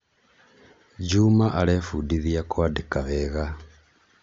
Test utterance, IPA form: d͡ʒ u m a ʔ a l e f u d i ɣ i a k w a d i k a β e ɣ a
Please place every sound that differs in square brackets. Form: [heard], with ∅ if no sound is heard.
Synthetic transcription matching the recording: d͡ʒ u m a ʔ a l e f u d i [ð] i a k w a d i k a β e ɣ a